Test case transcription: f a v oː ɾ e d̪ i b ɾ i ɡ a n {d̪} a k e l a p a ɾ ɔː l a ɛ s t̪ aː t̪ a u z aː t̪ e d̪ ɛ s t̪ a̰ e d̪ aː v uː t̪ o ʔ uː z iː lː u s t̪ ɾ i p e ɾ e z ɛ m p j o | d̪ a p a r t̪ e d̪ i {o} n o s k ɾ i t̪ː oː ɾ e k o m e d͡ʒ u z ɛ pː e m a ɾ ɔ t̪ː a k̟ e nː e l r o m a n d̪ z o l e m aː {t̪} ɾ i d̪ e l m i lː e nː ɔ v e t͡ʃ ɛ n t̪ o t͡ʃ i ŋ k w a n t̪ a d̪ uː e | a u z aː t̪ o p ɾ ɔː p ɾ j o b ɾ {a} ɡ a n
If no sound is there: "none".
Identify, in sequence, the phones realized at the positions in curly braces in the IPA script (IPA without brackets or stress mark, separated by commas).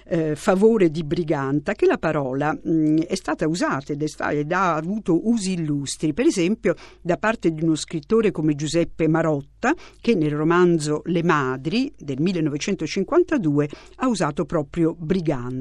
t̪, u, d̪, i